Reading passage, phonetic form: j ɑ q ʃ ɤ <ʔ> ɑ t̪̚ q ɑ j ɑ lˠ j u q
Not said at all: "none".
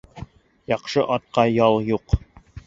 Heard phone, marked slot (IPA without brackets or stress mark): ʔ